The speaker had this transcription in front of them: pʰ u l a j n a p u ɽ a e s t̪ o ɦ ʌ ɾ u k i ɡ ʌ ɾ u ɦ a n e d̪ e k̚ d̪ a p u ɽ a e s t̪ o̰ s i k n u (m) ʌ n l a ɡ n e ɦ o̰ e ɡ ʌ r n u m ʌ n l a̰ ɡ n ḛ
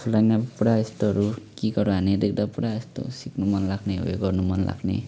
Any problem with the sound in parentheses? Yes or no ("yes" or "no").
no